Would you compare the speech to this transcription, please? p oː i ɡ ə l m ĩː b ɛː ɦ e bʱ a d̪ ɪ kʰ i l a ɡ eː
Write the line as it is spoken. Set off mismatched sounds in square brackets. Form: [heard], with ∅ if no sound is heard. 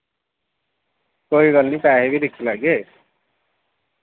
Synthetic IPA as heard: [k] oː i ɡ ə l [n] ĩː [p] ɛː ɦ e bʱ [i] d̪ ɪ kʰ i l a ɡ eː